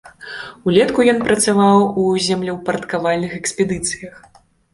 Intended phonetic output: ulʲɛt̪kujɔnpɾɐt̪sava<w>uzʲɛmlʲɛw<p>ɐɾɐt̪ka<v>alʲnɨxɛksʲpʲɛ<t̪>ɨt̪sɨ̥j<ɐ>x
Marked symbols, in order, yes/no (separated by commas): yes, yes, yes, no, yes